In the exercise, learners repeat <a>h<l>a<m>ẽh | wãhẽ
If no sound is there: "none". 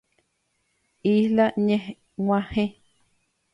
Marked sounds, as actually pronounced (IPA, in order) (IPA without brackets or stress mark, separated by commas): i, l, ɲ